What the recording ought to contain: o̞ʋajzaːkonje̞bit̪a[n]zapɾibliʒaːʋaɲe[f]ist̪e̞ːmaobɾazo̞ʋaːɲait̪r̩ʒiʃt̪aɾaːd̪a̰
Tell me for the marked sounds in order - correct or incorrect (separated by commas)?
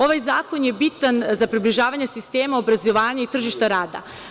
correct, incorrect